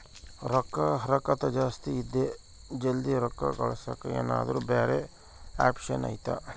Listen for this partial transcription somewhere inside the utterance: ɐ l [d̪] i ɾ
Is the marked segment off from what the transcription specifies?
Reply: no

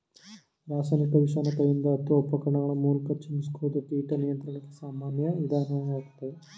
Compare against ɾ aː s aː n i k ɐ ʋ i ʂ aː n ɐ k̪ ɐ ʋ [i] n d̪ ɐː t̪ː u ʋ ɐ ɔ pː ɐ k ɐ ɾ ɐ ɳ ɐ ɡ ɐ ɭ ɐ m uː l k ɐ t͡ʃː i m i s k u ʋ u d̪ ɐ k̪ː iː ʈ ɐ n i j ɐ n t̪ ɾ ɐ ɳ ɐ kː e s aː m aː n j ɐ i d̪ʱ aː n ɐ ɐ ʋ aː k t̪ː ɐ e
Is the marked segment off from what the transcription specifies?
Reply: no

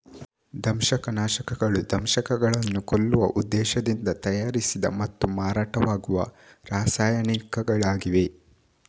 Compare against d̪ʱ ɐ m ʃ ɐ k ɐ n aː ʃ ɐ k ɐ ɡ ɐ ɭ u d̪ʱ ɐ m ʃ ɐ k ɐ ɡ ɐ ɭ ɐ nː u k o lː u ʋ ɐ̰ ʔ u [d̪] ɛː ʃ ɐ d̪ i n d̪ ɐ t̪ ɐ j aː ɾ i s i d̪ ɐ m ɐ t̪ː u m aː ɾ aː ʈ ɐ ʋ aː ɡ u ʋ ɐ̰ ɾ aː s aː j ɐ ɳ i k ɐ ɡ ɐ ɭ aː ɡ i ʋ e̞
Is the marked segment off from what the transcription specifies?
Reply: yes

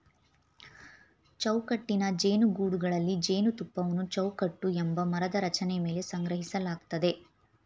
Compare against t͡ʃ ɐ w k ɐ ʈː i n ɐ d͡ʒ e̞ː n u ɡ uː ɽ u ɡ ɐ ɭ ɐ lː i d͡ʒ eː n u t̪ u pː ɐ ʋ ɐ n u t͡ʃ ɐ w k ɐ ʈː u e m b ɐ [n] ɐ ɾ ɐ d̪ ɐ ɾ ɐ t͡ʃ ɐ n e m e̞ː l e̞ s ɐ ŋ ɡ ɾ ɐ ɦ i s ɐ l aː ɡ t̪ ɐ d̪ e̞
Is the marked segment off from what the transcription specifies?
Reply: yes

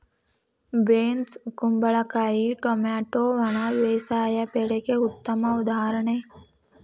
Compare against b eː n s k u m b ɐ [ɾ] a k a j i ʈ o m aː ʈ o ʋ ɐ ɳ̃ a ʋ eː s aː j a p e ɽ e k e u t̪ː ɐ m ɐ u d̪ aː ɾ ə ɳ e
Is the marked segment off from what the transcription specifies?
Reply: yes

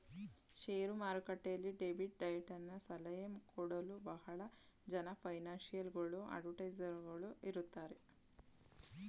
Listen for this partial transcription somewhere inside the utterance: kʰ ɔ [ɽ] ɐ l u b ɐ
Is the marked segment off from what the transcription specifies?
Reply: no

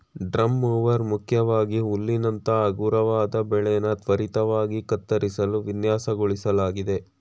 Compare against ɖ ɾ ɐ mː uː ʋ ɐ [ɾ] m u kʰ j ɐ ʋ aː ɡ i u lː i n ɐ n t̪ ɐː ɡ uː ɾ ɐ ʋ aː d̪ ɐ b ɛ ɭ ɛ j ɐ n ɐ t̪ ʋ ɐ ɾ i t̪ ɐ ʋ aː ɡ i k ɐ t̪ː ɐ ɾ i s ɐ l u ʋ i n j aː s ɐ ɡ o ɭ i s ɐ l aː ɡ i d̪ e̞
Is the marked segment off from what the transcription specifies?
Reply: no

